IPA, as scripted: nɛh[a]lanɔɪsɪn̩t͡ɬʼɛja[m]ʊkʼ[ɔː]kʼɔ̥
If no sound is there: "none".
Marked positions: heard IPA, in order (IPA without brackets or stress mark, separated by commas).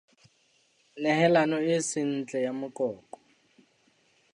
ɛ, m, ɔː